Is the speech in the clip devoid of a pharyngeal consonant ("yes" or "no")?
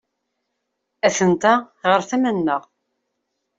yes